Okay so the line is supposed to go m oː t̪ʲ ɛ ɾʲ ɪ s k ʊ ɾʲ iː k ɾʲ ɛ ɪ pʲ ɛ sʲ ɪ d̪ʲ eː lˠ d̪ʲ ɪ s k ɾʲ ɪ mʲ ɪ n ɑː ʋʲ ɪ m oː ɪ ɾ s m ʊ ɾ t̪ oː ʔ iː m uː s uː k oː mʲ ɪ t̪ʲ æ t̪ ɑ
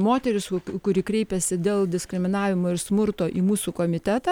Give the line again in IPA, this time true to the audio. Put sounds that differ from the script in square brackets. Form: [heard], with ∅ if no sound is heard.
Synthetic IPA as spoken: m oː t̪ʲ ɛ ɾʲ ɪ s k ʊ ɾʲ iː k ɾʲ ɛ ɪ pʲ ɛ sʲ ɪ d̪ʲ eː lˠ d̪ʲ ɪ s k ɾʲ ɪ mʲ ɪ n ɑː ʋʲ ɪ m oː ɪ ɾ s m ʊ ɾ t̪ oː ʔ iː m uː s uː k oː mʲ ɪ t̪ʲ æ t̪ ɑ